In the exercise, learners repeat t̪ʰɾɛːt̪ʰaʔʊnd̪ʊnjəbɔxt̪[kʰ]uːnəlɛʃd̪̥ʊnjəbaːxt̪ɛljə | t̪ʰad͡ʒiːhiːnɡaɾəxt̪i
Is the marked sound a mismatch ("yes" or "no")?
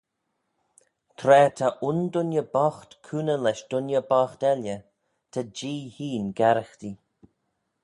no